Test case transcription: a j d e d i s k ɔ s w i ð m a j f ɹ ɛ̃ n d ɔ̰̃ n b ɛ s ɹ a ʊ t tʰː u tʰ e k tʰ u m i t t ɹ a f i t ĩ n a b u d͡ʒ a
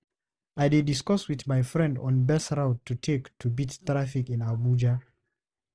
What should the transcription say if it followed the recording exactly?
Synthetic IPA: a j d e d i s k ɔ s w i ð m a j f ɹ ɛ̃ n d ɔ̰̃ n b ɛ s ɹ a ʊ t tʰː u tʰ e k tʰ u b i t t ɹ a f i k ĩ n a b u d͡ʒ a